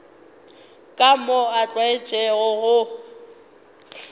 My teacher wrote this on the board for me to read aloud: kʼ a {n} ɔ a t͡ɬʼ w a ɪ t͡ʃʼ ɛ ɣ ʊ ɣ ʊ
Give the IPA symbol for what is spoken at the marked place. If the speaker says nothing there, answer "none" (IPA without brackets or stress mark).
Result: m